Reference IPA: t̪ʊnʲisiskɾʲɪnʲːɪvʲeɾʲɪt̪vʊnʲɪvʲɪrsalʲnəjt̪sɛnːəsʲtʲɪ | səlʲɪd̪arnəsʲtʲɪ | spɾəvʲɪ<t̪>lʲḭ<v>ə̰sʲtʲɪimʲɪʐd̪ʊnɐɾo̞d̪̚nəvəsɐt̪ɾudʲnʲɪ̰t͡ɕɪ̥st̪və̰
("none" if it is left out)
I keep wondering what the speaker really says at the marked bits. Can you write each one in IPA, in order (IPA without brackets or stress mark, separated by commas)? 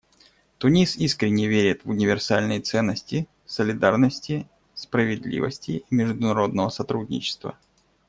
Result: d̪, v